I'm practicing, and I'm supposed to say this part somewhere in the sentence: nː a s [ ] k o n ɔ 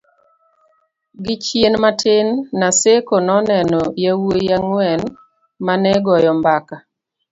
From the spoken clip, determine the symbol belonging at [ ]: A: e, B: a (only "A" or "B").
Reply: A